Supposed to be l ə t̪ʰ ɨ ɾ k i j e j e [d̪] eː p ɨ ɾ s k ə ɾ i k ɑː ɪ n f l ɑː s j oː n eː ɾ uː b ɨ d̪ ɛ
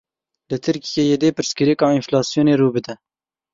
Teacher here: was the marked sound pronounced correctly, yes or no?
yes